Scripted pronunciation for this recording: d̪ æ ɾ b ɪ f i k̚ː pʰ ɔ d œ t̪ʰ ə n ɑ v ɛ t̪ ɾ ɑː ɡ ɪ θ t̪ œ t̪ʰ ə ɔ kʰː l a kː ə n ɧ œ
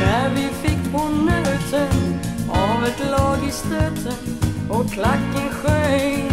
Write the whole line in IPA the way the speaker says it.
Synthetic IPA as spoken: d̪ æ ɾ v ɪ f ɪ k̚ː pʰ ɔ n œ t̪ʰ ə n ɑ v ɛ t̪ l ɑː ɡ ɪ s t̪ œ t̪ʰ ə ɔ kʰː l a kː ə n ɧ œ